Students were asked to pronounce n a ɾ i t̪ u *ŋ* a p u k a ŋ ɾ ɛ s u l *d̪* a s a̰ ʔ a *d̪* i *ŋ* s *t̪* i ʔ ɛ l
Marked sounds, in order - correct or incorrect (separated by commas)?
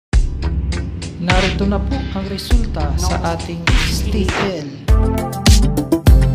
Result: incorrect, incorrect, incorrect, correct, correct